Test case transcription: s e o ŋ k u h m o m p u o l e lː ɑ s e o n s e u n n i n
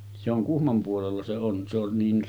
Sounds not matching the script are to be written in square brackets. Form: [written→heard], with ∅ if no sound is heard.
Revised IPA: s e o ŋ k u h m o m p u o l e lː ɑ s e o n s e [u→o] n n [i→iː] n